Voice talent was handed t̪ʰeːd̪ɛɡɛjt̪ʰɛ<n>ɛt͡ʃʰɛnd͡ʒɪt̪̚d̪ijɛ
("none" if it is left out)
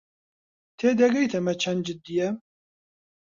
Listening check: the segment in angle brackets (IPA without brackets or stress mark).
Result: m